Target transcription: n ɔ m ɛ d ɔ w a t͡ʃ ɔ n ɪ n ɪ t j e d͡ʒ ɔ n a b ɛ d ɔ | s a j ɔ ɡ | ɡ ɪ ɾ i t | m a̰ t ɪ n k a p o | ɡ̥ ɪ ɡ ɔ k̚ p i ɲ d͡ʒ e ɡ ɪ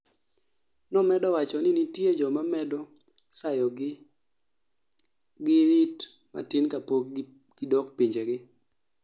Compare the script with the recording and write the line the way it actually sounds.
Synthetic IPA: n ɔ m ɛ d ɔ w a t͡ʃ ɔ n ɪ n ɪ t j e d͡ʒ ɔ m a m ɛ d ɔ | s a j ɔ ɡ | ɡ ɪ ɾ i t | m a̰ t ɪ n k a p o | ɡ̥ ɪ d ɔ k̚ p i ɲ d͡ʒ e ɡ ɪ